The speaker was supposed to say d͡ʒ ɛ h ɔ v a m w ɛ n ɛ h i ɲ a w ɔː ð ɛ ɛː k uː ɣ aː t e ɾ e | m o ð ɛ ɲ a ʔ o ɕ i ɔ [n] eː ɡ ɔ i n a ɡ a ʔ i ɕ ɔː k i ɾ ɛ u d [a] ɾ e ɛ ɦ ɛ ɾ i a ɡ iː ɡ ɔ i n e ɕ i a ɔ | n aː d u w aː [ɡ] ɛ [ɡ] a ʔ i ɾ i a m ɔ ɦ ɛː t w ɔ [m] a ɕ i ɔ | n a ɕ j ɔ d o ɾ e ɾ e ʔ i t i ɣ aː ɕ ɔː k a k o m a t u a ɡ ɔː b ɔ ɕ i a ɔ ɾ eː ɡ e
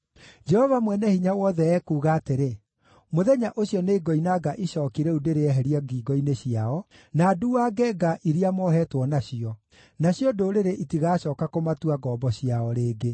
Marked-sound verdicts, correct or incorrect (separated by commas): correct, incorrect, correct, correct, incorrect